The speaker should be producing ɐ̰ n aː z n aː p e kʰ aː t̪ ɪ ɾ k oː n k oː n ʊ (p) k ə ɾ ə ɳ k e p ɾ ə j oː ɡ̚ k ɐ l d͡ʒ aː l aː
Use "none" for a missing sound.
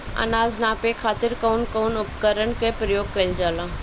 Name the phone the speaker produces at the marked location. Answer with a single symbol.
p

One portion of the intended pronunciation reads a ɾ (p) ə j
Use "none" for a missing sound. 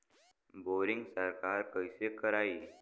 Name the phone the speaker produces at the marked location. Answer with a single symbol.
k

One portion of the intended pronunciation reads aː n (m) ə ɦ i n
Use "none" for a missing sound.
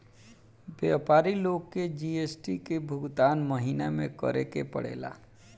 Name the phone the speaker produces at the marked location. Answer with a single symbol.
m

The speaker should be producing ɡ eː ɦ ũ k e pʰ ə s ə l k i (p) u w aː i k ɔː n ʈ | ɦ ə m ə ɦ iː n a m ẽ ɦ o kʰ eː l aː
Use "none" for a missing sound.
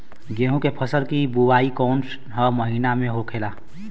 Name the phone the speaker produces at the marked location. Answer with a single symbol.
b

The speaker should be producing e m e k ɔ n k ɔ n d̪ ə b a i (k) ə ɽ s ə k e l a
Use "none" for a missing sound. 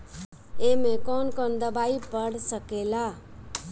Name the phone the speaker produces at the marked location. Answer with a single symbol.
p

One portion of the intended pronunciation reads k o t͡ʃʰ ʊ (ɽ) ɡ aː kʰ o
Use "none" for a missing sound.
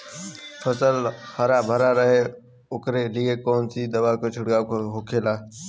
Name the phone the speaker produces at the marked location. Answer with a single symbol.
ɽ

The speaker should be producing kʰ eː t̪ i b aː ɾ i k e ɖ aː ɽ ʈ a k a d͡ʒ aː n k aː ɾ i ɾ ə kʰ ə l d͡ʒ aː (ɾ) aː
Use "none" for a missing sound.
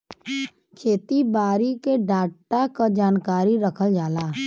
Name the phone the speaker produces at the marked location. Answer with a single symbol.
l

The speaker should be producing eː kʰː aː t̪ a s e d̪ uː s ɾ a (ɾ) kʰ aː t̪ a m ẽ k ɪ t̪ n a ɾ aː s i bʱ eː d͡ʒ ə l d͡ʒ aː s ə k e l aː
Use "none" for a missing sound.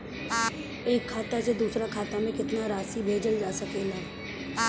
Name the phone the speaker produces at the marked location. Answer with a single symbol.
none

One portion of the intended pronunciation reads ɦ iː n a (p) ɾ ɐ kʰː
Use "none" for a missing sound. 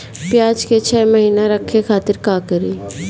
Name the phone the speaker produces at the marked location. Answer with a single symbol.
none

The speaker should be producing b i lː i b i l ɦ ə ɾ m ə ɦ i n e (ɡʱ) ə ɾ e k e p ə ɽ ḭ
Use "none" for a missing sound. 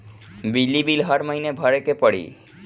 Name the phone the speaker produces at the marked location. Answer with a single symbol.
bʱ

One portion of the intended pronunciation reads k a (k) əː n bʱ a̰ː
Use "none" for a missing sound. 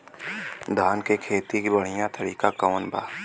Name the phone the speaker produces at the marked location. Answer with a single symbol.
k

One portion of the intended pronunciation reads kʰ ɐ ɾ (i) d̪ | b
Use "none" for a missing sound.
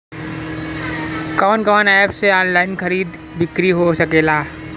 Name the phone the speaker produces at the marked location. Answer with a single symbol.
iː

